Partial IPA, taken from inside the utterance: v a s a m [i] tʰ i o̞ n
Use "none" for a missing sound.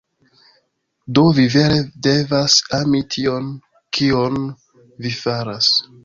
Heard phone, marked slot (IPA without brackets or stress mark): i